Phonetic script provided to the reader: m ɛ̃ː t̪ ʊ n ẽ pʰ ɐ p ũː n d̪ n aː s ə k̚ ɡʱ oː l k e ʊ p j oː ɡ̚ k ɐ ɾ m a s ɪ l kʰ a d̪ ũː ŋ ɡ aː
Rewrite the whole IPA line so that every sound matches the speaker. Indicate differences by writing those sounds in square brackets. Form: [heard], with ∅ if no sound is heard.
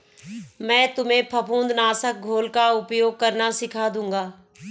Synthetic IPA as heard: m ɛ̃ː t̪ ʊ [m] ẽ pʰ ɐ p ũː n d̪ n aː s ə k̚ ɡʱ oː l k [a] ʊ p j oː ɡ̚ k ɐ ɾ [n] a s ɪ [∅] kʰ a d̪ ũː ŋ ɡ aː